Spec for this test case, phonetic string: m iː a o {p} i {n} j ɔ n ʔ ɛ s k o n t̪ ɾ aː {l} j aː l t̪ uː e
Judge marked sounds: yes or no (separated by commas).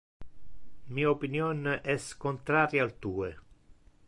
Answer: yes, yes, no